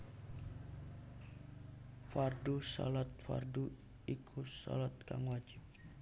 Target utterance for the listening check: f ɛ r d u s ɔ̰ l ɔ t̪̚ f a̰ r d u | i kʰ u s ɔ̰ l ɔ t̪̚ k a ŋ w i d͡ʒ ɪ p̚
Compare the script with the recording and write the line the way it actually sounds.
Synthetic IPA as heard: f a r d u s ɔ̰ l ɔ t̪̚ f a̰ r d u | i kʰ u s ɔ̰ l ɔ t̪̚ k a ŋ w a d͡ʒ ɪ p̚